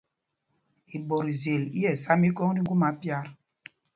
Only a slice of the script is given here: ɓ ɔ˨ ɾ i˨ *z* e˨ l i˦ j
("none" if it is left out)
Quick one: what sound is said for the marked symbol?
z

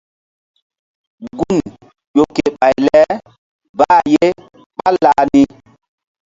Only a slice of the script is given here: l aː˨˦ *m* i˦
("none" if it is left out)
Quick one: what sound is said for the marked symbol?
n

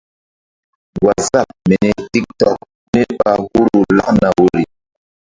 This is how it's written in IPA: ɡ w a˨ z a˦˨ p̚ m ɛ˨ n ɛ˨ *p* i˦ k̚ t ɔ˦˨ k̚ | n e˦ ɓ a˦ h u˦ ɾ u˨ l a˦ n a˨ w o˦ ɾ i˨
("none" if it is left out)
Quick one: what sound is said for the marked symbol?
t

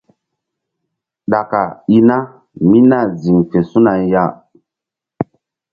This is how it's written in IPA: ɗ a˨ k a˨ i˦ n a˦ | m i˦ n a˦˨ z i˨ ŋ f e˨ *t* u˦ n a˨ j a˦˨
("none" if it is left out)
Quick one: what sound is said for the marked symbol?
s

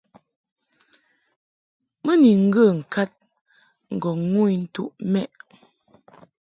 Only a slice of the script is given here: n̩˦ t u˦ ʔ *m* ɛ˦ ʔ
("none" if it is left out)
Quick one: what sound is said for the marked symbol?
m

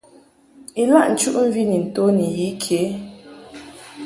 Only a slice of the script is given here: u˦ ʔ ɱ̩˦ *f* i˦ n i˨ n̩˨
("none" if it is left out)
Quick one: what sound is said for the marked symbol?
v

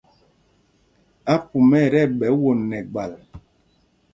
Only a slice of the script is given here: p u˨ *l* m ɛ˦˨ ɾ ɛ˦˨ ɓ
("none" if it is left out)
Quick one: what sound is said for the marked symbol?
none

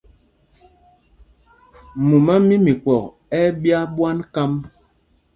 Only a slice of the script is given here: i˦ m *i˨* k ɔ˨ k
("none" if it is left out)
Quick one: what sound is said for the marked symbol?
i˨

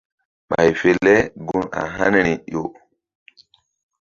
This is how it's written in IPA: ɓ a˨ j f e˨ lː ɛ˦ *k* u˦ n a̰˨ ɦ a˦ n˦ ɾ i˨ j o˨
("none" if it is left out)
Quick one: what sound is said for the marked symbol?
ɡ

